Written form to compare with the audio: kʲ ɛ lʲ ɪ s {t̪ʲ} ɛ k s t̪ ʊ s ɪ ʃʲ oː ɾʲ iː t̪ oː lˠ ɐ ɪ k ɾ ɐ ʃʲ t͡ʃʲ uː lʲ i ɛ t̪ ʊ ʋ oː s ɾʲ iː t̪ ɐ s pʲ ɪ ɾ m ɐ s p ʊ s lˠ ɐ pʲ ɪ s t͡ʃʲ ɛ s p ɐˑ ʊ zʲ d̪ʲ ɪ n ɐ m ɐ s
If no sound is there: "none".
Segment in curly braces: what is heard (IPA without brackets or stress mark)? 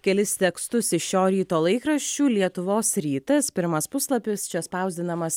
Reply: t̪ʲ